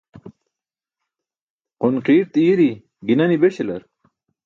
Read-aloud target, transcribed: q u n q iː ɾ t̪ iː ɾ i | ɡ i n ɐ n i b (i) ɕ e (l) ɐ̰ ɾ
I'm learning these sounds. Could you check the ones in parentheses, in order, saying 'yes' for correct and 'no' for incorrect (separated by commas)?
no, yes